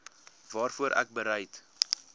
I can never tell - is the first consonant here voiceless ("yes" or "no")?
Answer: no